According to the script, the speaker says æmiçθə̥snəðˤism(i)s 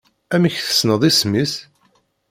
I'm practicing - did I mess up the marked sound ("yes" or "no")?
no